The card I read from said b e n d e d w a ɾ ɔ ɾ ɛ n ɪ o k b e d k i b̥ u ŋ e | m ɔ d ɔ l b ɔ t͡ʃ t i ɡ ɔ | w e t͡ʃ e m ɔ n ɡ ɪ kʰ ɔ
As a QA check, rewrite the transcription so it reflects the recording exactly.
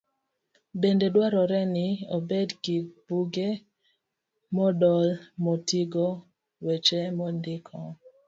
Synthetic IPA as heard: b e n d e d w a ɾ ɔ ɾ ɛ n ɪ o b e d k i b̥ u ɡ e | m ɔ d ɔ l m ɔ t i ɡ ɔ | w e t͡ʃ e m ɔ n d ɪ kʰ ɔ